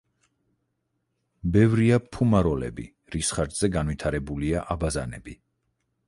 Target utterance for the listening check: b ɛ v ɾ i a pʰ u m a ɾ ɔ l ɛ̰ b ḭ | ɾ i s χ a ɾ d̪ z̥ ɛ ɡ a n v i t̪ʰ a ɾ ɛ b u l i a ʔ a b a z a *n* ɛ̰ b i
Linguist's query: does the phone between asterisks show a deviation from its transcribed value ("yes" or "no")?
no